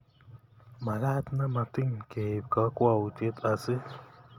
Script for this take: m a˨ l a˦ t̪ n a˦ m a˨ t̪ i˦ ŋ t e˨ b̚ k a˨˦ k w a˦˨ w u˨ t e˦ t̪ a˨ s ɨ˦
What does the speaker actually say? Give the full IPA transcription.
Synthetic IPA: m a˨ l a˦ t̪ n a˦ m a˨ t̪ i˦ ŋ k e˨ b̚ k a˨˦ k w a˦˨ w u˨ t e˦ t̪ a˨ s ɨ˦